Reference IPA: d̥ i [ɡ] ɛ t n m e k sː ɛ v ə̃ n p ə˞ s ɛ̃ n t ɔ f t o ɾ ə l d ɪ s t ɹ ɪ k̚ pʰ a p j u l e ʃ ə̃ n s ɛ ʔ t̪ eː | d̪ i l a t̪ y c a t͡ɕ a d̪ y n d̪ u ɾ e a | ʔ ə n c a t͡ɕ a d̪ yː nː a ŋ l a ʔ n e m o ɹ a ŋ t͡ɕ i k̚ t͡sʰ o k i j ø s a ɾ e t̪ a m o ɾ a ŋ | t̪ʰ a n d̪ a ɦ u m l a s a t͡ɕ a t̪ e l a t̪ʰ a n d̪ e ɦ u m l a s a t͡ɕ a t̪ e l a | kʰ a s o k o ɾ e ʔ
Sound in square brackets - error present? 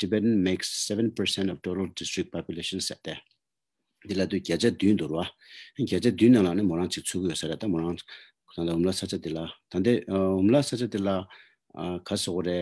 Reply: yes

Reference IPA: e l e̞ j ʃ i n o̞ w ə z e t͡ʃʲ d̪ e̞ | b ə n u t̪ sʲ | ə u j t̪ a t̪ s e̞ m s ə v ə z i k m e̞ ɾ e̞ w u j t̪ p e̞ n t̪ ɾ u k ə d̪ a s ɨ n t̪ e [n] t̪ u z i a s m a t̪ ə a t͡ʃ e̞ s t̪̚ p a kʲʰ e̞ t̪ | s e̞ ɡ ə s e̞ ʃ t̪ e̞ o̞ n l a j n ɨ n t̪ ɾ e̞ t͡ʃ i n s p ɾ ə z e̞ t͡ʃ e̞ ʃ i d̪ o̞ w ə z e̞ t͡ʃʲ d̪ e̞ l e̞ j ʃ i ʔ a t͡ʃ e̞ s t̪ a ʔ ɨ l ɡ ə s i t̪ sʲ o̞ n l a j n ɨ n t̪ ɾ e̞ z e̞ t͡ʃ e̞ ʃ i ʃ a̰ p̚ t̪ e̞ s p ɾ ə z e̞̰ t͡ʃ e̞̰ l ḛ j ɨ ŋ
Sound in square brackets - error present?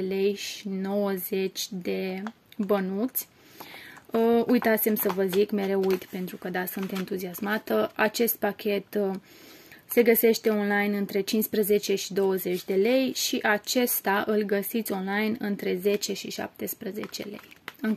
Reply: no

